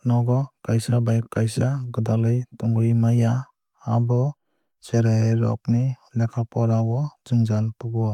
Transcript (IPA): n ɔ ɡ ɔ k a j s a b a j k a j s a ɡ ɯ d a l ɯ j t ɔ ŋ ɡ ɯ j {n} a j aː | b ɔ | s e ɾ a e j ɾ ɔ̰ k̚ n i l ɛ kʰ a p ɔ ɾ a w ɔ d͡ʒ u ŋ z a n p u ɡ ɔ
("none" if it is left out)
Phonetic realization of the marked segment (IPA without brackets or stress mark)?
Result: m